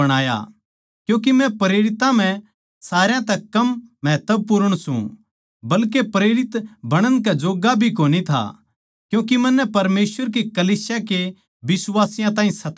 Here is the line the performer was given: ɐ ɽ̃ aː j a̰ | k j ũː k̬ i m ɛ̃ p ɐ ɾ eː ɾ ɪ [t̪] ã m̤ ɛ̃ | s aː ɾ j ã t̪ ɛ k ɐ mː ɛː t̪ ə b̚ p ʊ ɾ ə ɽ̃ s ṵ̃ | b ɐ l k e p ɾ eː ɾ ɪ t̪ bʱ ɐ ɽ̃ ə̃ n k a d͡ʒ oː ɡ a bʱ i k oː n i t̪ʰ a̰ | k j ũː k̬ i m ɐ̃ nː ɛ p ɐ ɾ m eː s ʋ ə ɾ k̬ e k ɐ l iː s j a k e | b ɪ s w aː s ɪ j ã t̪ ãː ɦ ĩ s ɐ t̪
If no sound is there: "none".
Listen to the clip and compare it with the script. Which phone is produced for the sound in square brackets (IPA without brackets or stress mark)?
t̪